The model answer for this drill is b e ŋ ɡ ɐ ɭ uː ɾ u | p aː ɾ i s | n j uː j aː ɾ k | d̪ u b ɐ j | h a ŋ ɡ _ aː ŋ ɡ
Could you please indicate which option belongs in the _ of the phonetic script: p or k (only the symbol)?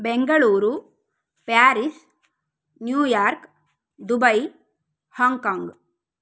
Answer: k